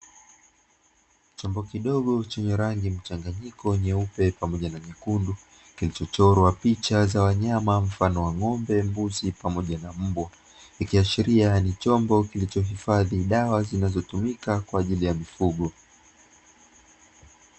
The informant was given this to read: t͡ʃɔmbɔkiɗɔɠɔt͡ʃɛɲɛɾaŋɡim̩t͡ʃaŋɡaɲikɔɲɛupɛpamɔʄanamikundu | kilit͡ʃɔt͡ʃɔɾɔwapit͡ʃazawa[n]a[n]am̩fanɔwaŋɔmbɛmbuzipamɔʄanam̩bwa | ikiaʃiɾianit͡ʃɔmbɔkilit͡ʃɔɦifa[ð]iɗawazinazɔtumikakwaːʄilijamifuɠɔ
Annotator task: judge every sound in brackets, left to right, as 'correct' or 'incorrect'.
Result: incorrect: ɲ, incorrect: m, correct

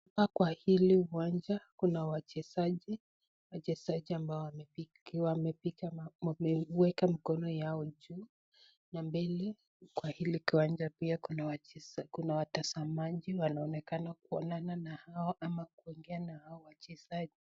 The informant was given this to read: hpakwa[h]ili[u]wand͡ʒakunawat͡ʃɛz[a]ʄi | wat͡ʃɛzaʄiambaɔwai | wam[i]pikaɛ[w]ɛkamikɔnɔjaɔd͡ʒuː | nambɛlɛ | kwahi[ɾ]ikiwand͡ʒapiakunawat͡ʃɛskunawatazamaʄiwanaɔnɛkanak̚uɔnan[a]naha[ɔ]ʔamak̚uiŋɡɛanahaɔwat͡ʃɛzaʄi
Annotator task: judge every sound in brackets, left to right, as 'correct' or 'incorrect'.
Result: correct, correct, correct, incorrect: ɛ, correct, incorrect: l, correct, correct

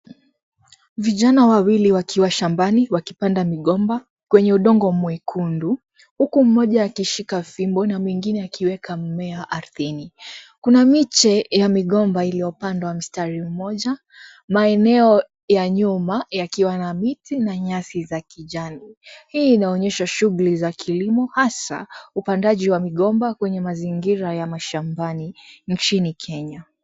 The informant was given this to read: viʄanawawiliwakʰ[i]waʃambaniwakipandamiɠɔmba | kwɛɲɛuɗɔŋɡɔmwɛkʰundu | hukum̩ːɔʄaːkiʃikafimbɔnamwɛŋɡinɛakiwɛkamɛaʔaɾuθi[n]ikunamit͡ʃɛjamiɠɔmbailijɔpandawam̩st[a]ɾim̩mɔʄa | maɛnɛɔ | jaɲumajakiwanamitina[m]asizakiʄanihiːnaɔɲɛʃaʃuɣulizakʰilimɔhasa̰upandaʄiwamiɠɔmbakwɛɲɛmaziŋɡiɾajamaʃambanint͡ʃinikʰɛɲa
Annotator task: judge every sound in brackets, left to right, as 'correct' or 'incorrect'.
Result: correct, correct, correct, incorrect: ɲ

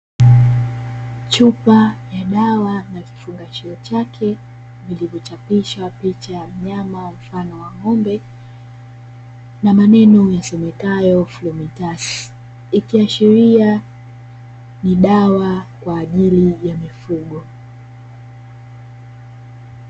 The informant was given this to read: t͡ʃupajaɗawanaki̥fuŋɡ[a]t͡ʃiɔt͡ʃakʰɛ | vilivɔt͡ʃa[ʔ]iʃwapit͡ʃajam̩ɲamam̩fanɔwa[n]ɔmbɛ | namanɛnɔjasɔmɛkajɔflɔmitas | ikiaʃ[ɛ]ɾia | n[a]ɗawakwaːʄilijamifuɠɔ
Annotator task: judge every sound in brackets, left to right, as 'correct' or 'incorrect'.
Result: correct, incorrect: p, incorrect: ŋ, incorrect: i, incorrect: i

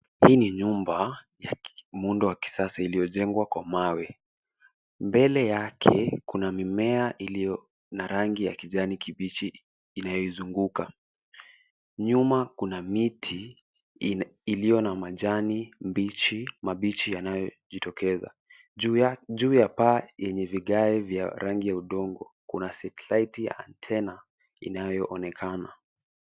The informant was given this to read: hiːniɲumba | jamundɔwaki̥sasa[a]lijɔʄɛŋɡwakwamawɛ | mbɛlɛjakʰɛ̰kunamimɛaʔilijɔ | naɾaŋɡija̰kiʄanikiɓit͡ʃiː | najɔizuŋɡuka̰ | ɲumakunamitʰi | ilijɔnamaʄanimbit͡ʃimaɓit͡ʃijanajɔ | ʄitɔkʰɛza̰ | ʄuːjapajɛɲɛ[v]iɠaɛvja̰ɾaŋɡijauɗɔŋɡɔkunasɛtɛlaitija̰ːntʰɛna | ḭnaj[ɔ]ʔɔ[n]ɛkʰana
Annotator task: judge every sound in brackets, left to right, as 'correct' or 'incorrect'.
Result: incorrect: i, correct, correct, correct

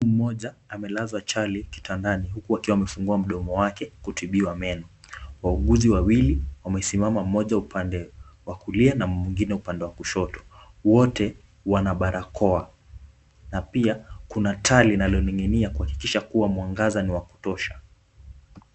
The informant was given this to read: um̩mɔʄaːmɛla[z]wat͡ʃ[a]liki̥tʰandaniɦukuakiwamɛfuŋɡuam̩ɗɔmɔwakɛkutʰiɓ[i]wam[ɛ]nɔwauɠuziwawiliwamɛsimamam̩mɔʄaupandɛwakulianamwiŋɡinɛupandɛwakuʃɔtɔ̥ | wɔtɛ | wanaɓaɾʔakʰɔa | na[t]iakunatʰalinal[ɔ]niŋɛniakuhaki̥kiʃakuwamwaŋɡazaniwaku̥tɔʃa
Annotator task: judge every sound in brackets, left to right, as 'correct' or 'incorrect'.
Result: correct, correct, correct, correct, incorrect: p, correct

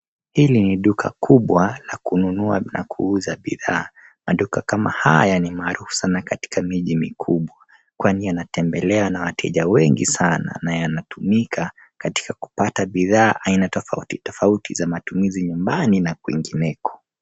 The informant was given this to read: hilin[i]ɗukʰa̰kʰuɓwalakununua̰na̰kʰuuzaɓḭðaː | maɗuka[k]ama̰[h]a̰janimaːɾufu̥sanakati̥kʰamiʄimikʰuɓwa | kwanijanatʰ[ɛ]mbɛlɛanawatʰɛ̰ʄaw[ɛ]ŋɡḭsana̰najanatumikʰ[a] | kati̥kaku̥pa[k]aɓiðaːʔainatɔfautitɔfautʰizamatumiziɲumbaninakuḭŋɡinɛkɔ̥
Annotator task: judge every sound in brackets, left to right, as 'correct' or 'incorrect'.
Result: correct, correct, correct, correct, correct, correct, incorrect: t

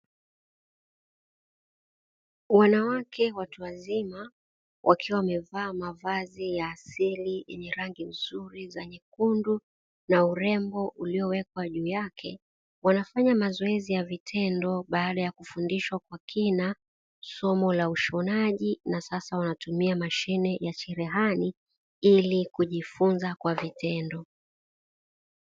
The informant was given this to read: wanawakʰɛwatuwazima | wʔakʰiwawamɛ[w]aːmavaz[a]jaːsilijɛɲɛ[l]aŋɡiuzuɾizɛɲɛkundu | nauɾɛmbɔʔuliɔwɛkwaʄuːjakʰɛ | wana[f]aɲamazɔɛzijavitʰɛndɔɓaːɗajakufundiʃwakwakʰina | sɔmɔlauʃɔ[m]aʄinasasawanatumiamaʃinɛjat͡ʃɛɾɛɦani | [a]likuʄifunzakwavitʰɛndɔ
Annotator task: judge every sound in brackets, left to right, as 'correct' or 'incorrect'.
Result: incorrect: v, incorrect: i, incorrect: ɾ, correct, incorrect: n, incorrect: i

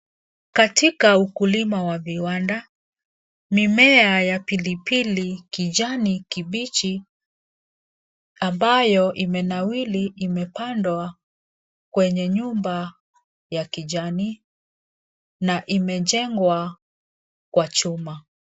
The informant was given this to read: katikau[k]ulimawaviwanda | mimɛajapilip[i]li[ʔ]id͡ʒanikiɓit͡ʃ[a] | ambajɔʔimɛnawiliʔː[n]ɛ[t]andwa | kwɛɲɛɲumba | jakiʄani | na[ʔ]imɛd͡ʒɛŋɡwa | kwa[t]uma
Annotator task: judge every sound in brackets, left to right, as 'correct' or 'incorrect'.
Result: correct, correct, incorrect: k, incorrect: i, incorrect: m, incorrect: p, correct, incorrect: t͡ʃ

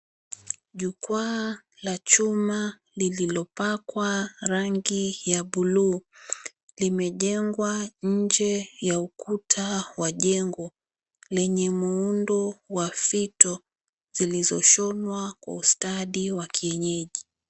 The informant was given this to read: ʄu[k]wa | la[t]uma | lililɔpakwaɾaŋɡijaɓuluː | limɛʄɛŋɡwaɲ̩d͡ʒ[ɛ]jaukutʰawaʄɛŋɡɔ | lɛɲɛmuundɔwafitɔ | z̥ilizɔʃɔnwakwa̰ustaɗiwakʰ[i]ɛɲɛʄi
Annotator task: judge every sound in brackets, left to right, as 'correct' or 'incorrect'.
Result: correct, incorrect: t͡ʃ, correct, correct

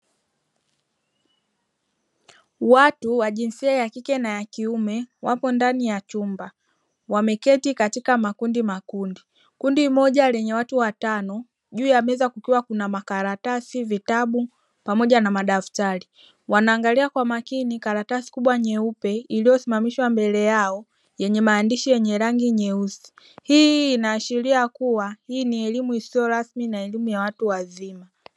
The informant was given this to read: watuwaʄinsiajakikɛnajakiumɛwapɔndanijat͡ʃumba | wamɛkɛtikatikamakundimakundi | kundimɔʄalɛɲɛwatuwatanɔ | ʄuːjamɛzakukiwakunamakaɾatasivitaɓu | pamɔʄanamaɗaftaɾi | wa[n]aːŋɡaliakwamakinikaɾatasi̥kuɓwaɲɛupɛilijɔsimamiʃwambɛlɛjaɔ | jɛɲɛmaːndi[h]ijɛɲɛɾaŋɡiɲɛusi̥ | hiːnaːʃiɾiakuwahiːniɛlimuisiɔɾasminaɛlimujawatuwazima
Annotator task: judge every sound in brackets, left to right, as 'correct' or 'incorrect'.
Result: correct, incorrect: ʃ

